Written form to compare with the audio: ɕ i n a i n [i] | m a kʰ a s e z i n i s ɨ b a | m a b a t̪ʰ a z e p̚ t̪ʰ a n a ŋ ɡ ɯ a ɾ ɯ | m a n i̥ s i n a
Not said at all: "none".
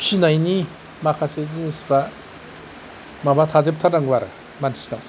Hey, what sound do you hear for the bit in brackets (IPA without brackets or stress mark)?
i